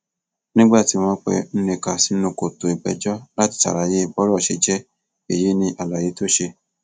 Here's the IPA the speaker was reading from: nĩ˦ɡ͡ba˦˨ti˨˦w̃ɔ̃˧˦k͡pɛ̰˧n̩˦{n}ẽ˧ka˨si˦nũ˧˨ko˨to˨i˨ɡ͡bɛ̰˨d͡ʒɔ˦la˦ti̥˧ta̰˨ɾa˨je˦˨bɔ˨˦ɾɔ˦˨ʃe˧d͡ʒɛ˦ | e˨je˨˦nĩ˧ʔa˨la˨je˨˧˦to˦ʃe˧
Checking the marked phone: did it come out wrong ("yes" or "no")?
no